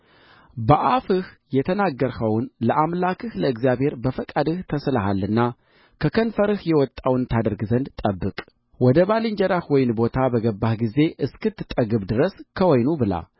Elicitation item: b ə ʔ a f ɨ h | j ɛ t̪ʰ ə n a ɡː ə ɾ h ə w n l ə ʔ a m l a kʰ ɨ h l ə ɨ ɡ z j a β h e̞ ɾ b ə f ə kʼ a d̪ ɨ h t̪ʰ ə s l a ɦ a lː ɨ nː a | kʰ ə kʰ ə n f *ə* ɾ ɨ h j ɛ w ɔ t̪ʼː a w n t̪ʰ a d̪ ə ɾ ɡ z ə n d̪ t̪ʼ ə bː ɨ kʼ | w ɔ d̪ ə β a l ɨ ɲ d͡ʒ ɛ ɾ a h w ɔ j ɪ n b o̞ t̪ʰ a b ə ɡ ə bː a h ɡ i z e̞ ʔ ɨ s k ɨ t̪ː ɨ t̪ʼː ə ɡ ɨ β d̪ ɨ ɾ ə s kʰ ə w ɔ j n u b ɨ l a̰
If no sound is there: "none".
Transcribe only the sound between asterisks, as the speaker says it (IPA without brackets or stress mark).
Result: ə